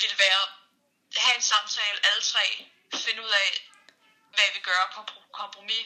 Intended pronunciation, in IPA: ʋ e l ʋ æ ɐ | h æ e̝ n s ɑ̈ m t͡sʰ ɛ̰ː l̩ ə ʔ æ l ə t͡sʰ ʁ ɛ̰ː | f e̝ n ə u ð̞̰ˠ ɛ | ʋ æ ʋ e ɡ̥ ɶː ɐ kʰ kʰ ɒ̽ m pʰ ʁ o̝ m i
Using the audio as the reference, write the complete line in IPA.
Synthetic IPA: ʋ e l ʋ æː ɐ | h æ e̝ n s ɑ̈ m t͡sʰ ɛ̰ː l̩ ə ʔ æ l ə t͡sʰ ʁ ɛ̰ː | f e̝ n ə u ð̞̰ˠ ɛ | ʋ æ ʋ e ɡ̥ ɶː ɐ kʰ kʰ ɒ̽ m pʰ ʁ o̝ m i